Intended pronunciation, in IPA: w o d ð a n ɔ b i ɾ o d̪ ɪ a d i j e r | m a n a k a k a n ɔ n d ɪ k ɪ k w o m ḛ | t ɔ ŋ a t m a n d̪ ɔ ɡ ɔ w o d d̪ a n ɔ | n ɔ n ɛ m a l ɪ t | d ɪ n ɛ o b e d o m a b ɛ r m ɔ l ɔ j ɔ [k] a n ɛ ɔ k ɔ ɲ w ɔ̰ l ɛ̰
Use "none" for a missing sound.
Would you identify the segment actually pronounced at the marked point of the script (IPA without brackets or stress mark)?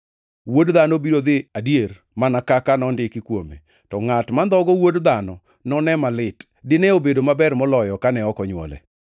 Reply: k